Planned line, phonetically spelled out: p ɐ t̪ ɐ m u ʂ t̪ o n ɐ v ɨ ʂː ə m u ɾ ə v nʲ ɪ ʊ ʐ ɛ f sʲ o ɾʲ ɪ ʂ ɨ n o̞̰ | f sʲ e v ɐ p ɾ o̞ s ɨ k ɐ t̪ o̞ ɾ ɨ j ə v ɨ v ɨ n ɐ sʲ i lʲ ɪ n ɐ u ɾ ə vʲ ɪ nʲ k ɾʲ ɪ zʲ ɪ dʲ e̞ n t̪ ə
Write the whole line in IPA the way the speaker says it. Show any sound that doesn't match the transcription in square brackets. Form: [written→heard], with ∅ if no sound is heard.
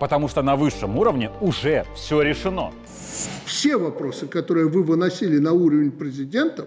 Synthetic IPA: p [ɐ→ə] t̪ ɐ m u ʂ t̪ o n ɐ v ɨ ʂː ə m u ɾ ə v nʲ ɪ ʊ ʐ ɛ f sʲ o ɾʲ ɪ ʂ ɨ n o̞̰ | f sʲ e v ɐ p ɾ o̞ s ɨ k ɐ t̪ o̞ ɾ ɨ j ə v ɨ v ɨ n ɐ sʲ i lʲ ɪ n ɐ u ɾ ə vʲ ɪ nʲ [k→p] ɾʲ ɪ zʲ ɪ dʲ e̞ n t̪ ə